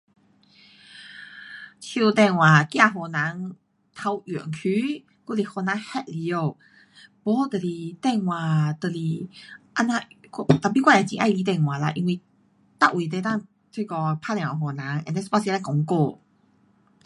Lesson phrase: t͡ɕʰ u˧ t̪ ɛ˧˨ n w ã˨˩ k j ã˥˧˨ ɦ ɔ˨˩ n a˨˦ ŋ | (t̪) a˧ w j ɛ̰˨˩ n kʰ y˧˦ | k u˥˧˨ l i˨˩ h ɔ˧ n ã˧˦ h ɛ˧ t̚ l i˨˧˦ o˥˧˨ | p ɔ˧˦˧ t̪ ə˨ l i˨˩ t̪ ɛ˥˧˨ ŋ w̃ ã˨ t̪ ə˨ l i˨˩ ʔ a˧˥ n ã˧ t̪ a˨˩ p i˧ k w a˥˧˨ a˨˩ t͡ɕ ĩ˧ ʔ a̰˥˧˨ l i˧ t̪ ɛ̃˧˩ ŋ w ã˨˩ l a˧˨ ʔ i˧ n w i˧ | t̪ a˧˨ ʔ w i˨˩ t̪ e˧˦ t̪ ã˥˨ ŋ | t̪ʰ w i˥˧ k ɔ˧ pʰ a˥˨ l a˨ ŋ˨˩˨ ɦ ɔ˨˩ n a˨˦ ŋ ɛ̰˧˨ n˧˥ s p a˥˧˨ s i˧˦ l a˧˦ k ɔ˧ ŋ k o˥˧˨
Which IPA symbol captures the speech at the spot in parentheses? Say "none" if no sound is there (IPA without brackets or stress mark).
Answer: t̪ʰ